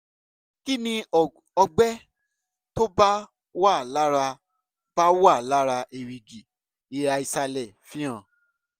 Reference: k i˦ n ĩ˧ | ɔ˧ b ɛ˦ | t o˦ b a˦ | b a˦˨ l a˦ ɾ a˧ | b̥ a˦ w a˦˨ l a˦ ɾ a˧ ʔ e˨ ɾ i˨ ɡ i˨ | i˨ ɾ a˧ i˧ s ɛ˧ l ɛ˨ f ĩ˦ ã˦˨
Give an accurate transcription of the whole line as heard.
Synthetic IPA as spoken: k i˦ n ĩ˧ | ɔ˧ ɡ͡b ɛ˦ | t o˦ b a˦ | w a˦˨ l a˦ ɾ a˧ | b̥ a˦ w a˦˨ l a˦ ɾ a˧ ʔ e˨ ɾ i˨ ɡ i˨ | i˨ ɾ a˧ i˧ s a˧ l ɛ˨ f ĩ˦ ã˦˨